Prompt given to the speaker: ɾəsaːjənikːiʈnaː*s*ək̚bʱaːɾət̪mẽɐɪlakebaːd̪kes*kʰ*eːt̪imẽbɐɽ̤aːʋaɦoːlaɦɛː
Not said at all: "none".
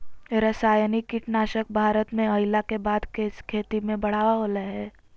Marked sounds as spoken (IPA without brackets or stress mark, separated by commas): ʃ, kʰ